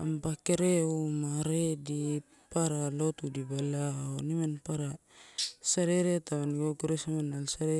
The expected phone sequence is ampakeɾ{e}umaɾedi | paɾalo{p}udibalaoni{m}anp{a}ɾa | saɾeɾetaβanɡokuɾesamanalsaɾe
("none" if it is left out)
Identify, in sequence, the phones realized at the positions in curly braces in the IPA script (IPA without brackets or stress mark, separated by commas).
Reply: e, t, m, a